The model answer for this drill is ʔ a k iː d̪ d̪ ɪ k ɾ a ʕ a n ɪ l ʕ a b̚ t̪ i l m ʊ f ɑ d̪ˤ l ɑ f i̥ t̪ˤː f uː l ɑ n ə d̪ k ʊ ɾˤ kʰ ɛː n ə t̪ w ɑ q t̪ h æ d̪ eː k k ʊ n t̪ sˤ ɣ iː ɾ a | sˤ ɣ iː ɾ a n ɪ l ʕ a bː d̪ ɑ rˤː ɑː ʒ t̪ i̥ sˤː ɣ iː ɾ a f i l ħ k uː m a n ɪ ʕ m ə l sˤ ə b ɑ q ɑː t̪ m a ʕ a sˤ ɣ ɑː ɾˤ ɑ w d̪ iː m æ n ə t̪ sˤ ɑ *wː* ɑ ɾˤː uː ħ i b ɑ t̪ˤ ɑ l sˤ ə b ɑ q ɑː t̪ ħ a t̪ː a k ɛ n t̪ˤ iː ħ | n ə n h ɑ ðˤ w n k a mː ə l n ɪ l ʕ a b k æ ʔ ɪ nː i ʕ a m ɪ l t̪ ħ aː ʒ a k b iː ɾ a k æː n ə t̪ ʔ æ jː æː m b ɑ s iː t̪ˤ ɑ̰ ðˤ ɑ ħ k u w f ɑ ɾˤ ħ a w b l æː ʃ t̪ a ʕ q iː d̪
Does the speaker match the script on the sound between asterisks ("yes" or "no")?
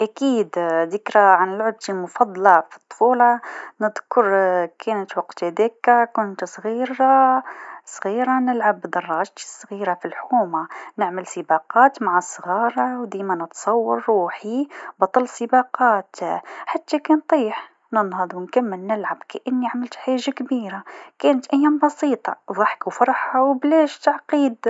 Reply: yes